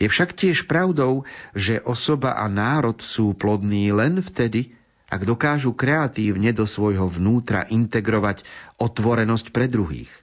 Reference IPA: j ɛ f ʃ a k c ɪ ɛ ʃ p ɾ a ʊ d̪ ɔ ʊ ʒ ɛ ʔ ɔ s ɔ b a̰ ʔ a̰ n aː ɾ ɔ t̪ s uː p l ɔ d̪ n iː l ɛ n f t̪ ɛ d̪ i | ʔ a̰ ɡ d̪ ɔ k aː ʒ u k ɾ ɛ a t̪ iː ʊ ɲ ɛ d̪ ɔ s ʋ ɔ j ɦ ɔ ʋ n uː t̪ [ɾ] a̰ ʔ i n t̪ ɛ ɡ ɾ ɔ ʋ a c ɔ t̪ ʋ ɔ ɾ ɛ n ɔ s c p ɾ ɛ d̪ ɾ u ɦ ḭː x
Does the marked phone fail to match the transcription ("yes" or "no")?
no